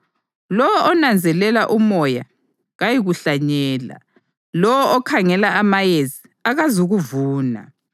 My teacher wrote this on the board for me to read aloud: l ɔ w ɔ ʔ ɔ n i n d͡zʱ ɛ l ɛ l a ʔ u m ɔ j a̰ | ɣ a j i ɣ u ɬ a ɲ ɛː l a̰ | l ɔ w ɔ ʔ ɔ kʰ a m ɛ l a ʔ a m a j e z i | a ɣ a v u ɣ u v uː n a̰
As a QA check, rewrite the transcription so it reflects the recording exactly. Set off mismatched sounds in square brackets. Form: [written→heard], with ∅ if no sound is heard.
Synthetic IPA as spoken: l ɔ w ɔ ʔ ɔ n [i→a] n d͡zʱ ɛ l ɛ l a ʔ u m ɔ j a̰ | ɣ a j i ɣ u ɬ a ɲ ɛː l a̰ | l ɔ w ɔ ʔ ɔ kʰ a [m→ŋ] ɛ l a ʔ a m a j e z i | a ɣ a [v→z] u ɣ u v uː n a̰